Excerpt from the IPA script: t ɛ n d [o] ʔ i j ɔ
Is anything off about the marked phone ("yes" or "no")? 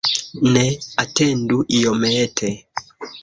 yes